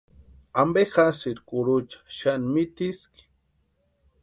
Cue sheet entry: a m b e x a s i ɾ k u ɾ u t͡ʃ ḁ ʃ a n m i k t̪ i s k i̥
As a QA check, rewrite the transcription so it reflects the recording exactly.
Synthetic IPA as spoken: a m b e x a s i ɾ k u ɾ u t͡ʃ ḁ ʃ a n m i t̪ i s k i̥